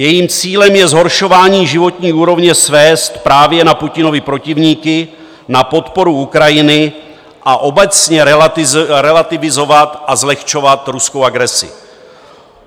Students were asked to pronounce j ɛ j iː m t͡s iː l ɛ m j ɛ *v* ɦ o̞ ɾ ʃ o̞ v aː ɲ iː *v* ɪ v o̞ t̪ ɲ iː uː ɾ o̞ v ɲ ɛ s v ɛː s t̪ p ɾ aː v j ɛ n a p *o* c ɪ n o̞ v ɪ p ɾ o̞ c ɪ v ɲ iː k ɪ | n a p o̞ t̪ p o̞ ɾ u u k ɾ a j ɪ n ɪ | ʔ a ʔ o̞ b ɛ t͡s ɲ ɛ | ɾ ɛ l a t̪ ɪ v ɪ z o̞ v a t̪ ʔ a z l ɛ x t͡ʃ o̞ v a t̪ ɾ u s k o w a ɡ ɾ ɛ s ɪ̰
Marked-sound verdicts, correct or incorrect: incorrect: z, incorrect: ʒ, incorrect: u

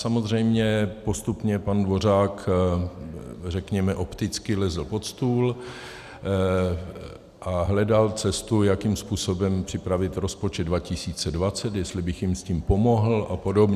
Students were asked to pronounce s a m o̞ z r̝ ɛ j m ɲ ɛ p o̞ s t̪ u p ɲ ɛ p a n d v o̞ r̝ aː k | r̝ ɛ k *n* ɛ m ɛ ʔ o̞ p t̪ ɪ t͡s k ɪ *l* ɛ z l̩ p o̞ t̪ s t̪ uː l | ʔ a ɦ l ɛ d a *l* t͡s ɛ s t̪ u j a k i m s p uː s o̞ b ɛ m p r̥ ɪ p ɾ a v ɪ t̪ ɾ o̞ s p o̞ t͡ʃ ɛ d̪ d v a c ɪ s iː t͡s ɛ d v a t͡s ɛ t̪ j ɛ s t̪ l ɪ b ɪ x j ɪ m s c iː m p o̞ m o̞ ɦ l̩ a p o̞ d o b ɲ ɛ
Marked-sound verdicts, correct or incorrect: incorrect: ɲ, correct, correct

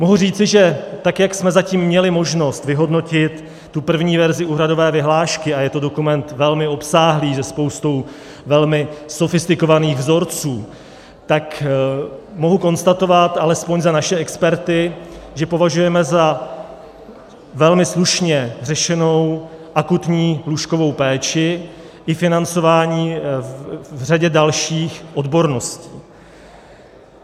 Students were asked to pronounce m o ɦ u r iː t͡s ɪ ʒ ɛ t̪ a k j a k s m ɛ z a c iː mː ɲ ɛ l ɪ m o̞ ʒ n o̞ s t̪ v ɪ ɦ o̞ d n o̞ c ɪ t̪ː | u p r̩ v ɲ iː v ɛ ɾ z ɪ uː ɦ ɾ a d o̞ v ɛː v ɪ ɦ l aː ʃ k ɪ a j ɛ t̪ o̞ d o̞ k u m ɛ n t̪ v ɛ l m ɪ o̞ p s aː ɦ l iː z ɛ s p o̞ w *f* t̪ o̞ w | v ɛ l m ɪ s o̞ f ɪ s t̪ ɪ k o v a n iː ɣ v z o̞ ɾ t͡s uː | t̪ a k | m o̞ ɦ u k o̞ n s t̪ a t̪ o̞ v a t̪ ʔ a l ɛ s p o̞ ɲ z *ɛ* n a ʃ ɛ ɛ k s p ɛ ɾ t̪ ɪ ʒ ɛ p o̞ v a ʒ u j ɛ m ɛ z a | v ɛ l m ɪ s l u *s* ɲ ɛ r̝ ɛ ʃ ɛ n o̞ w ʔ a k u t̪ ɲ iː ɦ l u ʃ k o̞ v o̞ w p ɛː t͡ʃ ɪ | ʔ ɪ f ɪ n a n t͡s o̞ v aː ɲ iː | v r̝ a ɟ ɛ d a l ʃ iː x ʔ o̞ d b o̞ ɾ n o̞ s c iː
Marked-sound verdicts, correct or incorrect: incorrect: s, incorrect: a, incorrect: ʃ

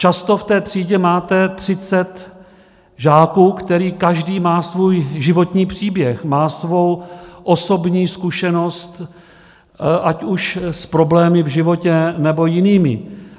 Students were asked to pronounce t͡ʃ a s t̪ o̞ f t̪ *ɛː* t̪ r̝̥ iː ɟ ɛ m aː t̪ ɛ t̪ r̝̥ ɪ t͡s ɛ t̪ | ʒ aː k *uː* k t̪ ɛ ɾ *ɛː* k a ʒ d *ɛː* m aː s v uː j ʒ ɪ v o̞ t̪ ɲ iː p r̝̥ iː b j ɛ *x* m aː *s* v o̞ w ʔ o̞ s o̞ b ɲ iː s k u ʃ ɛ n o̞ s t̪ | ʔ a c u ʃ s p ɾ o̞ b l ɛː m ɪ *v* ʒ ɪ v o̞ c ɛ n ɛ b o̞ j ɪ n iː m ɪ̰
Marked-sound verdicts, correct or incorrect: correct, correct, incorrect: iː, incorrect: iː, correct, correct, correct

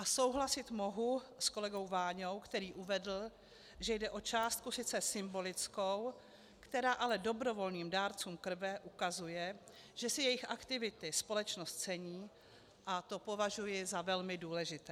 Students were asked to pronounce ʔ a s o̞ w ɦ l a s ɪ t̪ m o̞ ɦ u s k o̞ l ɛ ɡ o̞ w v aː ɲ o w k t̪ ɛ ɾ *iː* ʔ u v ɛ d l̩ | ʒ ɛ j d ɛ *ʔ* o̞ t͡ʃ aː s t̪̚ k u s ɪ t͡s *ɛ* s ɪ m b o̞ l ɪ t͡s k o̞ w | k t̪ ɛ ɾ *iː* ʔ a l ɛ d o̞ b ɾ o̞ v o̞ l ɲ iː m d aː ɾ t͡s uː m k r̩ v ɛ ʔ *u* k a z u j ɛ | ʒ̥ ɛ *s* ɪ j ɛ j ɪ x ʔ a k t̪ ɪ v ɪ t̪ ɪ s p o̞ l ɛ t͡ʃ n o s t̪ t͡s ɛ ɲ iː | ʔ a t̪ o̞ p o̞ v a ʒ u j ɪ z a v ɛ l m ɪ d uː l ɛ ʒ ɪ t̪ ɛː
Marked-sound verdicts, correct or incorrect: correct, correct, correct, incorrect: aː, correct, correct

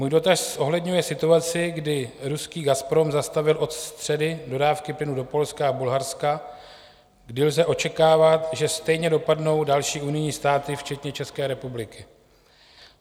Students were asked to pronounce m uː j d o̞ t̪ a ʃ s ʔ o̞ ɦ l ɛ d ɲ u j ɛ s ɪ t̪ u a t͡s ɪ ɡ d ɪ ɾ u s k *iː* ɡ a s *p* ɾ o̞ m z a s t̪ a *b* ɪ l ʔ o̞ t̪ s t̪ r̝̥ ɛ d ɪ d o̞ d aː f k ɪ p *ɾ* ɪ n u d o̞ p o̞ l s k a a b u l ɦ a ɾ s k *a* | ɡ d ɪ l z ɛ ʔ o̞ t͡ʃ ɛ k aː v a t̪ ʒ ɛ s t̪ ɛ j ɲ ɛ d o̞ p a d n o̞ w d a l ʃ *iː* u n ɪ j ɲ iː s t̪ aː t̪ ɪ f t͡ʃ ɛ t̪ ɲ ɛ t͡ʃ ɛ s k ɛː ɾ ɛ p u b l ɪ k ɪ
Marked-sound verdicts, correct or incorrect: correct, correct, incorrect: v, incorrect: l, correct, correct

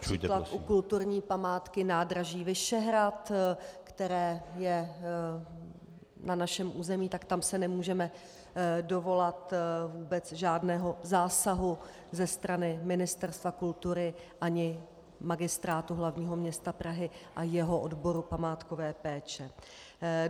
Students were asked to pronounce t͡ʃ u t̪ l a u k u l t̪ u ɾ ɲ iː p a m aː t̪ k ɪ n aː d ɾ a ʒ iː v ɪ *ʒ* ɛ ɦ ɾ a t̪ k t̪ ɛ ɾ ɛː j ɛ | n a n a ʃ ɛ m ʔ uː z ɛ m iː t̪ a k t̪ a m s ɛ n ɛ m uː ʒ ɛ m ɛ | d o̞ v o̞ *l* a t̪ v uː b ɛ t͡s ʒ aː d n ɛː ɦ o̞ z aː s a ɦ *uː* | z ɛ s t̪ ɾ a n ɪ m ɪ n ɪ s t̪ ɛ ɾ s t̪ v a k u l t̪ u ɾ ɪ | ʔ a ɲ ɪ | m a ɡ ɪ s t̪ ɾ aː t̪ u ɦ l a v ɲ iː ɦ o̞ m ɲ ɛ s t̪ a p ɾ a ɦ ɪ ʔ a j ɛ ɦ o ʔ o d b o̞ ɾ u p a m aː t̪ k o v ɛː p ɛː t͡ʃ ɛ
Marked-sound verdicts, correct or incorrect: incorrect: ʃ, correct, incorrect: u

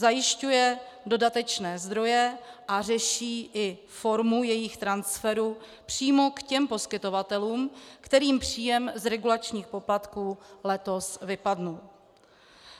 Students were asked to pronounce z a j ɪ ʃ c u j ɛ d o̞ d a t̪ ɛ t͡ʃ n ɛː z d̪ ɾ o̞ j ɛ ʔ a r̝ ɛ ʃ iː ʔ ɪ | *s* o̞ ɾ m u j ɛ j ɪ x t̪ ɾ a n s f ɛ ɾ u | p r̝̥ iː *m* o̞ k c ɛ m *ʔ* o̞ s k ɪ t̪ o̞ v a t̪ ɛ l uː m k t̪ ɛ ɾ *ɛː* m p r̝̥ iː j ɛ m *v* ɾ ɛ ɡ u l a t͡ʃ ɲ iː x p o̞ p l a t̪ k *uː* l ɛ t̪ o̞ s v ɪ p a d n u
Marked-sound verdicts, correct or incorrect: incorrect: f, correct, incorrect: p, incorrect: iː, incorrect: z, correct

